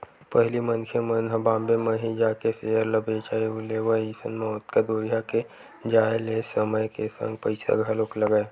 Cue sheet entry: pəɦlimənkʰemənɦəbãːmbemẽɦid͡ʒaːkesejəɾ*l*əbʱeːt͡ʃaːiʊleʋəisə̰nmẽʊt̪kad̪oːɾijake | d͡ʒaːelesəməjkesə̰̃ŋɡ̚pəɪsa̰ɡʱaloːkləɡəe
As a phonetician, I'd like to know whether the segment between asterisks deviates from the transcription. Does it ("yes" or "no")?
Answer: no